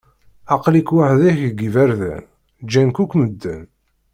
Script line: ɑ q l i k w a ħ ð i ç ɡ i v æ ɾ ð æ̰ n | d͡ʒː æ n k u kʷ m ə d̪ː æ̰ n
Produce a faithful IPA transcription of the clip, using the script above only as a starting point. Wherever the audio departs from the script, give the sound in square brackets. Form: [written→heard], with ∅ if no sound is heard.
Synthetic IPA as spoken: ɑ q l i k w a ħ ð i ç ɡ i v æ ɾ ð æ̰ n | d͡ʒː æ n k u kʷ m ə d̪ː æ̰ n